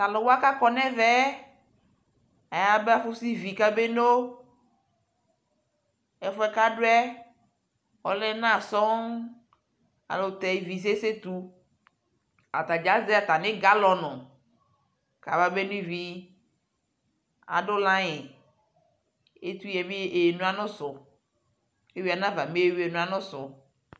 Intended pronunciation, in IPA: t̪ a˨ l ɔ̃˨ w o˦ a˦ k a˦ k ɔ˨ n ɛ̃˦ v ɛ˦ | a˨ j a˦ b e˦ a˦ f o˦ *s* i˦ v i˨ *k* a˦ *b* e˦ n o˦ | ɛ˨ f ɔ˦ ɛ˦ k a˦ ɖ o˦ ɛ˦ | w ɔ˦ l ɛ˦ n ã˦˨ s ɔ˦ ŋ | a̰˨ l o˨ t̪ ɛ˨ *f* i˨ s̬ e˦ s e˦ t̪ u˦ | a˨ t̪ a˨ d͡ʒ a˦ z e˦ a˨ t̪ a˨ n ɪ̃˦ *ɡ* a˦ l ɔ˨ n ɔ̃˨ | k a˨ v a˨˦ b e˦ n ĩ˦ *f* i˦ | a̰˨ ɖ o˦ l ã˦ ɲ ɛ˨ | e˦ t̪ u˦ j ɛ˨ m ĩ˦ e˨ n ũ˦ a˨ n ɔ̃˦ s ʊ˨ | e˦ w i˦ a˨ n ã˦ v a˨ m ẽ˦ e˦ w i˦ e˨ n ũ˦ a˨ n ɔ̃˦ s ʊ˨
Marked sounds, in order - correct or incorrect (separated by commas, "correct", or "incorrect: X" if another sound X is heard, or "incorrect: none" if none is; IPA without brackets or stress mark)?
correct, correct, correct, incorrect: v, correct, incorrect: v